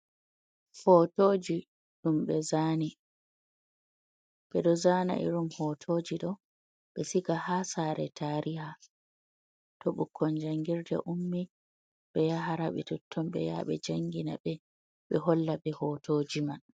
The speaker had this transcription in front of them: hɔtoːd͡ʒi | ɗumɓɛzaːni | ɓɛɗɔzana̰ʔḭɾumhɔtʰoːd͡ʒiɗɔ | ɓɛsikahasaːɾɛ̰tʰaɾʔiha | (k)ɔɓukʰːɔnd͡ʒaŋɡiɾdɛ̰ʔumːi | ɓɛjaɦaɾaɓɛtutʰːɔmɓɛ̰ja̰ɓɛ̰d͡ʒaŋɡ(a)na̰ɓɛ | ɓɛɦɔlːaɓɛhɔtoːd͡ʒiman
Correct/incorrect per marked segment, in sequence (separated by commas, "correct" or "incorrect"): incorrect, incorrect